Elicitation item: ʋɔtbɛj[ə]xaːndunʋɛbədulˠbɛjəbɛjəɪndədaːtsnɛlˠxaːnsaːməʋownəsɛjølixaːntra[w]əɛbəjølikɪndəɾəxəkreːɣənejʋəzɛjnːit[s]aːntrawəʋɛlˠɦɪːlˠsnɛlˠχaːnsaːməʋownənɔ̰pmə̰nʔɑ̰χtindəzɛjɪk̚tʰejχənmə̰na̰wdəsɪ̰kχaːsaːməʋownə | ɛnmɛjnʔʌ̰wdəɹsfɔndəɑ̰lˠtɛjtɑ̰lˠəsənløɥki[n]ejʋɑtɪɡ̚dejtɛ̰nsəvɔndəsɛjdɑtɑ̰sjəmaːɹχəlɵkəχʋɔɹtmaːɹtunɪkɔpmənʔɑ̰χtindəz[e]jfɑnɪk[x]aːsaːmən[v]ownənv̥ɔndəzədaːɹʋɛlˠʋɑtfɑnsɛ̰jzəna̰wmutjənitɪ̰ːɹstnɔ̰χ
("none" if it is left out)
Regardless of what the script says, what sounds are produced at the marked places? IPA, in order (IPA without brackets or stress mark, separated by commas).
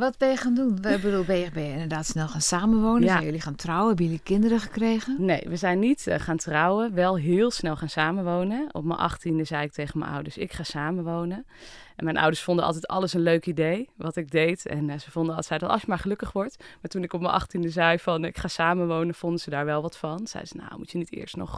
ə, w, χ, d, ɛ, χ, ʋ